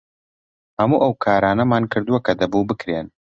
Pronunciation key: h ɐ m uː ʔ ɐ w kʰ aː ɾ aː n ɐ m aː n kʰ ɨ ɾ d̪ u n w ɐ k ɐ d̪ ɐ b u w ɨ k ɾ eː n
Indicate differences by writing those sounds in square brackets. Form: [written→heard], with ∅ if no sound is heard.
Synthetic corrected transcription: h ɐ m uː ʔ ɐ w kʰ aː ɾ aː n ɐ m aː n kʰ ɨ ɾ d̪ u [n→∅] w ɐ k ɐ d̪ ɐ b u [w→b] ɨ k ɾ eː n